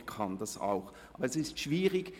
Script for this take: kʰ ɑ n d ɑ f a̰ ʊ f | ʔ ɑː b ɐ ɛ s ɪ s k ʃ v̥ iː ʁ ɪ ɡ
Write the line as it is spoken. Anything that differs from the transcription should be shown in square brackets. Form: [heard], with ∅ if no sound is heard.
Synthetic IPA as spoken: kʰ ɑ n d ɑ [s] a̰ ʊ [x] | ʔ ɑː b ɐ ɛ s ɪ s [t] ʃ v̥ iː ʁ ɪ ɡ